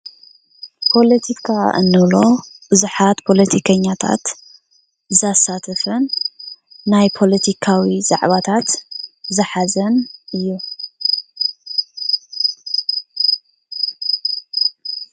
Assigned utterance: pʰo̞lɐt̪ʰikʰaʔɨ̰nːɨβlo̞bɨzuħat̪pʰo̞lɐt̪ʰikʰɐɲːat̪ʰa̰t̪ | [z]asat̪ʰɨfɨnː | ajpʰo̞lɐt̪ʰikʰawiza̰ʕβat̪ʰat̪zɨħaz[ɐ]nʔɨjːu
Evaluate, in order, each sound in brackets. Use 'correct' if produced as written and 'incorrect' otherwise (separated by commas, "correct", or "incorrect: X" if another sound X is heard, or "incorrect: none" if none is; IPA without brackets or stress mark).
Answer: correct, correct